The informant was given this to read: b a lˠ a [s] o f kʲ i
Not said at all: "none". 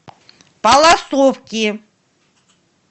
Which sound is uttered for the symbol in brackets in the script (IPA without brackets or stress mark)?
s